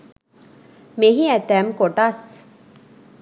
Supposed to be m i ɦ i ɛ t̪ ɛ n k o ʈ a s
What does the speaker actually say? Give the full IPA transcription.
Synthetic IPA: m e ɦ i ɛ t̪ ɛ m k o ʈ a s